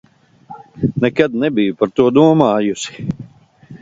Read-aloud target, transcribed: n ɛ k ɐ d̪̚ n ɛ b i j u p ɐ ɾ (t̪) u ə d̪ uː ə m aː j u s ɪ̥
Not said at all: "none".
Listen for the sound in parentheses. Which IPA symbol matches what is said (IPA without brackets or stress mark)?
t̪